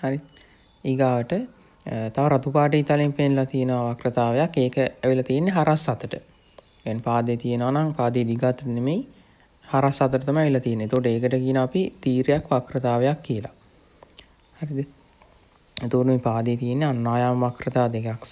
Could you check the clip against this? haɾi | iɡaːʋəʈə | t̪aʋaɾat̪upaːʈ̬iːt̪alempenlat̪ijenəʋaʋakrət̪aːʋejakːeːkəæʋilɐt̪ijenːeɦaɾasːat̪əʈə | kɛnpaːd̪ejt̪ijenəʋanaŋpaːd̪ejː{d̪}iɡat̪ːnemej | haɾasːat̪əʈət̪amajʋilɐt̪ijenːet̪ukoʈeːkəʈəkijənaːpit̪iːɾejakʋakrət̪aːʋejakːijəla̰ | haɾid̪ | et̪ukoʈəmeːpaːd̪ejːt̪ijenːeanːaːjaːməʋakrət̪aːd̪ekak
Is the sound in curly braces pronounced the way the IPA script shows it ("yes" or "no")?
yes